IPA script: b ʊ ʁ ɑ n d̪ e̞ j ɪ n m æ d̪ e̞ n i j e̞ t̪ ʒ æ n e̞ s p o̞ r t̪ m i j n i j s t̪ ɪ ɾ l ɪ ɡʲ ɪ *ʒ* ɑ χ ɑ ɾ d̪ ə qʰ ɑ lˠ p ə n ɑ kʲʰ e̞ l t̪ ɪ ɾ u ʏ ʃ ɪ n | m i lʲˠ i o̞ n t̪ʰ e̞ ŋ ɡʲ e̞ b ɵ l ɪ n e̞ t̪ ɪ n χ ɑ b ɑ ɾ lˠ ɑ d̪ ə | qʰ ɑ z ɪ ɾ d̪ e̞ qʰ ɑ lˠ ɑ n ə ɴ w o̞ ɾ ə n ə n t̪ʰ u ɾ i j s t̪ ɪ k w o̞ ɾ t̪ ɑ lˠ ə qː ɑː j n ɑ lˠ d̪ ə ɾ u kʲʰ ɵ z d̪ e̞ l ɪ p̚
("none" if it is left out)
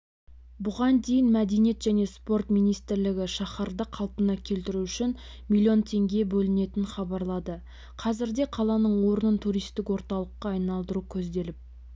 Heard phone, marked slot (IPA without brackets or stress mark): ʃ